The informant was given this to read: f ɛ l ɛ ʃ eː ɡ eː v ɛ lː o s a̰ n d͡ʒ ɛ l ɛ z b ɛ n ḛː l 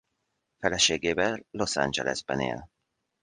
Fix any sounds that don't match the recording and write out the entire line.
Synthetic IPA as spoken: f ɛ l ɛ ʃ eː ɡ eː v ɛ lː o s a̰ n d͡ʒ ɛ l ɛ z b ɛ n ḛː l